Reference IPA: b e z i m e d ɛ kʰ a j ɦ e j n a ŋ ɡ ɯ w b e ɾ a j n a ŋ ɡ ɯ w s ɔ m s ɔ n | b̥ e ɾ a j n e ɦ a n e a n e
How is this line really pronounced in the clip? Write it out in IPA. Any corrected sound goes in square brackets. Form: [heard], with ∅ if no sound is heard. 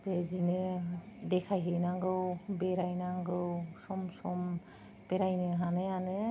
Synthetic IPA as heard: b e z i [n] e d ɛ kʰ a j ɦ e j n a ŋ ɡ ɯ w b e ɾ a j n a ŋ ɡ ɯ w s ɔ m s ɔ [m] | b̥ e ɾ a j n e ɦ a n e a n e